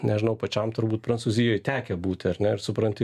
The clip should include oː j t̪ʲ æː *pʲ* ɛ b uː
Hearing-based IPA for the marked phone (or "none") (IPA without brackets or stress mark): kʲ